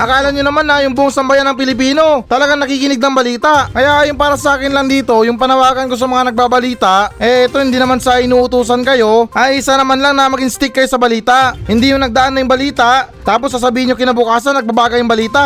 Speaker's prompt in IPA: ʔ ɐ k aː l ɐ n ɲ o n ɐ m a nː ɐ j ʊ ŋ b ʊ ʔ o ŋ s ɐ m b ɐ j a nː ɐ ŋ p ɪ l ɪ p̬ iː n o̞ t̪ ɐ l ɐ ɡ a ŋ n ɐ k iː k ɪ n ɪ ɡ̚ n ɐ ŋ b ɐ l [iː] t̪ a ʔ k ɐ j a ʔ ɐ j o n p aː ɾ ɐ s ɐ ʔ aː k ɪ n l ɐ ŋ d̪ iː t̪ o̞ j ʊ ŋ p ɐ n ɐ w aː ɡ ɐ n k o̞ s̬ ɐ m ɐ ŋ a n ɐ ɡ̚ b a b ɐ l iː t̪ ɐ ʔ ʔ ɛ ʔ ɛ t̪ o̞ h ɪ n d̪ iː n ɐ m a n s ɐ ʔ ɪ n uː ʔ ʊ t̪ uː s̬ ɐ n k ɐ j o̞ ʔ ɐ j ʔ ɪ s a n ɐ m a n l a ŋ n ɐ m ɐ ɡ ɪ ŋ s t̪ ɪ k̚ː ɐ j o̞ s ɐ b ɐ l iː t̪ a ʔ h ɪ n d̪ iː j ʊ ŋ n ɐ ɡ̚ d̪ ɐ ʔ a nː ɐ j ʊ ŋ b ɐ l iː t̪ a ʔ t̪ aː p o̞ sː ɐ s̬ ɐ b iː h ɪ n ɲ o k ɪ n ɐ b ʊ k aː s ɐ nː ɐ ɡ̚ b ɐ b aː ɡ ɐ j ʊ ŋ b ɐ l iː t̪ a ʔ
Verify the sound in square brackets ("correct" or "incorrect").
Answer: correct